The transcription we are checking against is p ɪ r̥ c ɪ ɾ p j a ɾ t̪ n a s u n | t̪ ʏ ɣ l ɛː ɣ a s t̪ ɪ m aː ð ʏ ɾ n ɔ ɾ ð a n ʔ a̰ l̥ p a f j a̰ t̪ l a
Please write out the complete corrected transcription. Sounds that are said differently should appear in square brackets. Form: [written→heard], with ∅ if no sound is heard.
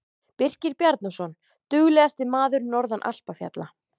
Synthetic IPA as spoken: p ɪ r̥ c ɪ ɾ p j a ɾ t̪ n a s [u→ɔ] n | t̪ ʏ ɣ l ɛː ɣ a s t̪ ɪ m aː ð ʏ ɾ n ɔ ɾ ð a n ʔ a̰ l̥ p a f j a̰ t̪ l a